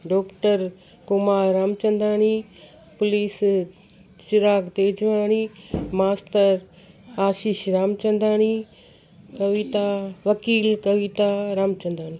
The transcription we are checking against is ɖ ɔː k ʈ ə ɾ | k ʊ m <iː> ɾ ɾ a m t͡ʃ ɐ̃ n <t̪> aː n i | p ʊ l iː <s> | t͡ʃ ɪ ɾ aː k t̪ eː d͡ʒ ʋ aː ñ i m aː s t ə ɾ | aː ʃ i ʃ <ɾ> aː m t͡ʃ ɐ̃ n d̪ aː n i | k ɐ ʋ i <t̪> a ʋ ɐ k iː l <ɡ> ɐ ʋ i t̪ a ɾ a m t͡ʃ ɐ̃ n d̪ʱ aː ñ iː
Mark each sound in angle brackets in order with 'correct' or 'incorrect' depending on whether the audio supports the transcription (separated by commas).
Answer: incorrect, incorrect, correct, correct, correct, incorrect